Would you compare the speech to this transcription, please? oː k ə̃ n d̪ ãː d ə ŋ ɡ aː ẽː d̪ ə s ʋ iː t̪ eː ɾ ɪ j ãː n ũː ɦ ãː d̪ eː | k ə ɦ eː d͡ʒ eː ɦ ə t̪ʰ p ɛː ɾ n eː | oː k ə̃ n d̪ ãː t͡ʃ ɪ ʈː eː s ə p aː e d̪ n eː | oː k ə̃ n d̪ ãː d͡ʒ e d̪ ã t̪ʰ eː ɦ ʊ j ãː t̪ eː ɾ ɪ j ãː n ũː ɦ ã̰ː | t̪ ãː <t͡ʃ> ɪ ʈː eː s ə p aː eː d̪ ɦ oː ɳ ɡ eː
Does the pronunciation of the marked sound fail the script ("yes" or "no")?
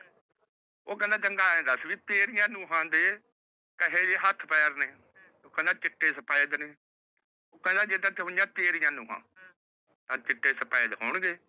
no